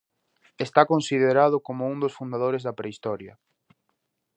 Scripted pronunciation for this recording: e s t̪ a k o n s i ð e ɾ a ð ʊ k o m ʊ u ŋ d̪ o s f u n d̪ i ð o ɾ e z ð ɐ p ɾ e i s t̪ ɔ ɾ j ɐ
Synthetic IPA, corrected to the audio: e s t̪ a k o n s i ð e ɾ a ð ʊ k o m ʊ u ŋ d̪ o s f u n d̪ a ð o ɾ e z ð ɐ p ɾ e i s t̪ ɔ ɾ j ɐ